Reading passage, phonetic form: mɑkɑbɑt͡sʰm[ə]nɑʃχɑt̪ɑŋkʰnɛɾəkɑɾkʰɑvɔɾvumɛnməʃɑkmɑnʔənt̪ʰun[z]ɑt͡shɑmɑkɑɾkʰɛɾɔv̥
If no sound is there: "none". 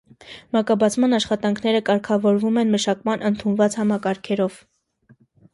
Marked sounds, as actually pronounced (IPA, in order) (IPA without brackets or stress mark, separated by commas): ɑ, v